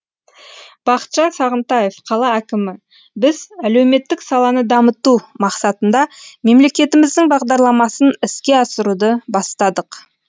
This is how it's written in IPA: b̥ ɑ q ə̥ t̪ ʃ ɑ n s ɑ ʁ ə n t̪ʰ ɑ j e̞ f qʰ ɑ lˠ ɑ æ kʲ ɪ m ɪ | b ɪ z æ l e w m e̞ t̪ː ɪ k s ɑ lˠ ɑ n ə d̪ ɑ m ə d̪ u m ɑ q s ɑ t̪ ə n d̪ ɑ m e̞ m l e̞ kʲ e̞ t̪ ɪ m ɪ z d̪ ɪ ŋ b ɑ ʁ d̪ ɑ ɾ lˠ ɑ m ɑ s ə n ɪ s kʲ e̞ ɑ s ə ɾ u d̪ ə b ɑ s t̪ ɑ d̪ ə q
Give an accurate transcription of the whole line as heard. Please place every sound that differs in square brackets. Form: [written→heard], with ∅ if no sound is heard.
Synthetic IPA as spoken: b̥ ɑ q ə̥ t̪ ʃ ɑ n s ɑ ʁ ə n [t̪ʰ→t̪] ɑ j e̞ f qʰ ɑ lˠ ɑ æ kʲ ɪ m ɪ | b ɪ z æ l e w m e̞ t̪ː ɪ k s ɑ lˠ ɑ n ə d̪ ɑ m ə [d̪→t̪] u m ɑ q s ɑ t̪ ə n d̪ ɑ m e̞ m l e̞ kʲ e̞ t̪ ɪ m ɪ z d̪ ɪ ŋ b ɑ ʁ d̪ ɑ ɾ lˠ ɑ m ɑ s ə n ɪ s kʲ e̞ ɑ s ə ɾ u d̪ ə b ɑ s t̪ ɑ d̪ ə q

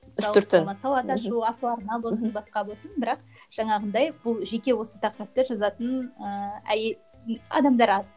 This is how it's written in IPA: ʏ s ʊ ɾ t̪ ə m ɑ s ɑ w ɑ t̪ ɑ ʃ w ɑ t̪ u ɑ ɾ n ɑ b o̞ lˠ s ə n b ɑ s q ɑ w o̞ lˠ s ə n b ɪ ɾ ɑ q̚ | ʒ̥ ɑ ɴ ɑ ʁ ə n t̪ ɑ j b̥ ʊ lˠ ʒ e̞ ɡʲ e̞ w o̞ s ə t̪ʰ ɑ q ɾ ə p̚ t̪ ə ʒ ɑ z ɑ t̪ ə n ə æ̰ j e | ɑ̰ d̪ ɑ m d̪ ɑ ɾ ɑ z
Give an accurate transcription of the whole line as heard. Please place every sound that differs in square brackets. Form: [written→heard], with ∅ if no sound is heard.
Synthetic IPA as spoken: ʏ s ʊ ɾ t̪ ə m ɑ s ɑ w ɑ t̪ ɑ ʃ [w→u] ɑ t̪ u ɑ ɾ n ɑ b o̞ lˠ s ə n b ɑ s q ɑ [w→b] o̞ lˠ s ə n b ɪ ɾ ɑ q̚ | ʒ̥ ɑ ɴ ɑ ʁ ə n [t̪→d̪] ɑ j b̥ ʊ lˠ ʒ e̞ [ɡʲ→kʲ] e̞ w o̞ s ə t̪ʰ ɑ q ɾ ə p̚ t̪ ə ʒ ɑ z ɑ t̪ ə n ə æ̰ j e | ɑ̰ d̪ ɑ m d̪ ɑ ɾ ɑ z

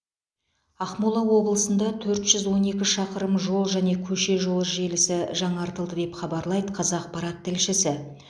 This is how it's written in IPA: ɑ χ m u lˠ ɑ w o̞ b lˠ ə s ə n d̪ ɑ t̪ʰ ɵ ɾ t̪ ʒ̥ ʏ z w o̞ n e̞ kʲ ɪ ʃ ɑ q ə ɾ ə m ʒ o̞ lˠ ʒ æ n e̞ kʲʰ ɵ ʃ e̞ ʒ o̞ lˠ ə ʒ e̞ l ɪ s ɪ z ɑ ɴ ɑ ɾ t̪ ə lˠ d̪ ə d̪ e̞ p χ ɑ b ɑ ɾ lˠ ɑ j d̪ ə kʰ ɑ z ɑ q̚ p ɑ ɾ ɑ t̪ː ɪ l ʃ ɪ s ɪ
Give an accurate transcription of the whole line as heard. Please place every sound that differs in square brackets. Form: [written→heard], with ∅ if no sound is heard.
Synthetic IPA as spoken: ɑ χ m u lˠ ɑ w o̞ b lˠ ə s ə n d̪ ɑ t̪ʰ ɵ ɾ t̪ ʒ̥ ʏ z w o̞ n e̞ kʲ ɪ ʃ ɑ q ə ɾ ə m ʒ o̞ lˠ ʒ æ n e̞ kʲʰ ɵ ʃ e̞ ʒ o̞ lˠ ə ʒ e̞ l ɪ s ɪ [z→ʒ] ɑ ɴ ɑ ɾ t̪ ə lˠ d̪ ə d̪ e̞ p χ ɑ b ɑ ɾ lˠ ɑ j d̪ ə [kʰ→qʰ] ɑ z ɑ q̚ p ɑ ɾ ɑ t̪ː ɪ l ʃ ɪ s ɪ

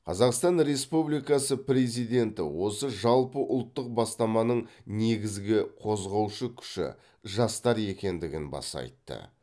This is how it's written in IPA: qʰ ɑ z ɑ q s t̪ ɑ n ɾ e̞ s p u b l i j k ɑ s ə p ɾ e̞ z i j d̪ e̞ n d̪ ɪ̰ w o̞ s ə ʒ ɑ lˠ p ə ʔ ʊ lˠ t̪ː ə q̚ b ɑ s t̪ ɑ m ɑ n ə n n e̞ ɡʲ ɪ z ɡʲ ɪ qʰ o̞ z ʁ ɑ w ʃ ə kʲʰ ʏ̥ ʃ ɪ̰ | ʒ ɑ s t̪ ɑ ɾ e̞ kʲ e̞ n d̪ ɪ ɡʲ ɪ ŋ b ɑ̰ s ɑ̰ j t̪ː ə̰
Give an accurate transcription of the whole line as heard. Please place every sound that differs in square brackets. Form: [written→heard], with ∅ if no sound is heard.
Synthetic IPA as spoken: qʰ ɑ z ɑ q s t̪ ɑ n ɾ e̞ s p u b l i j k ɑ s ə p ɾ e̞ z i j d̪ e̞ n [d̪→t̪] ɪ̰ w o̞ s ə ʒ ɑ lˠ p ə ʔ ʊ lˠ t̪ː ə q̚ b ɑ s t̪ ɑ m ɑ n ə [n→ɴ] n e̞ ɡʲ ɪ z ɡʲ ɪ qʰ o̞ z ʁ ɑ w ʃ ə kʲʰ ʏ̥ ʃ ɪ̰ | ʒ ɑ s t̪ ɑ ɾ e̞ kʲ e̞ n d̪ ɪ ɡʲ ɪ [ŋ→n] b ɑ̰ s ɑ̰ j t̪ː ə̰

